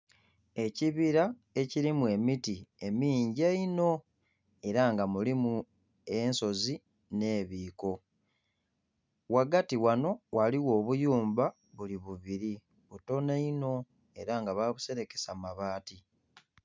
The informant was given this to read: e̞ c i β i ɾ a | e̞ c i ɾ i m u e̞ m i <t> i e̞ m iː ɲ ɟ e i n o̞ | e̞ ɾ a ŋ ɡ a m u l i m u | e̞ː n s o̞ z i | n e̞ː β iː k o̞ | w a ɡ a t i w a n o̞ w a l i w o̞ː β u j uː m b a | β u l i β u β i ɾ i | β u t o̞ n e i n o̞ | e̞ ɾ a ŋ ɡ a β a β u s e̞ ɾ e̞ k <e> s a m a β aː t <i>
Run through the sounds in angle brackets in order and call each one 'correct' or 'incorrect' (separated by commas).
correct, correct, correct